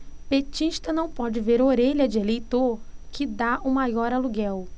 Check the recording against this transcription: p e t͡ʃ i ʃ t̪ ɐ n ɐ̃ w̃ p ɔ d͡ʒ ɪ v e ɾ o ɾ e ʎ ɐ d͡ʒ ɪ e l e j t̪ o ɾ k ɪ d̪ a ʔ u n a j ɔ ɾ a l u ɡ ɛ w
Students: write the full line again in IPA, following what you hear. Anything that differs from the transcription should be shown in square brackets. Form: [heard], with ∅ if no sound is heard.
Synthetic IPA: p e t͡ʃ i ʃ t̪ ɐ n ɐ̃ w̃ p ɔ d͡ʒ ɪ v e ɾ o ɾ e ʎ ɐ d͡ʒ ɪ e l e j t̪ o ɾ k ɪ d̪ a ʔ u [m] a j ɔ ɾ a l u ɡ ɛ w